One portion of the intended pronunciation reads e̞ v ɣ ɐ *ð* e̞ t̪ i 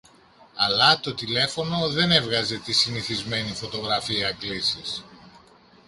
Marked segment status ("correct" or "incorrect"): incorrect